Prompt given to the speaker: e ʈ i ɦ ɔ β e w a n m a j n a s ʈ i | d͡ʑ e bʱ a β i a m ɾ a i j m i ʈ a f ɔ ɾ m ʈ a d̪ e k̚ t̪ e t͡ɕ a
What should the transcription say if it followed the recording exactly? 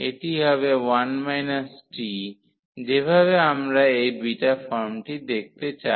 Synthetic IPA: e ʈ i ɦ ɔ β e w a n m a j n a s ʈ i | d͡ʑ e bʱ a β e a m ɾ a e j b i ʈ a f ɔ ɾ m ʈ i d̪ e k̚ t̪ e t͡ɕ a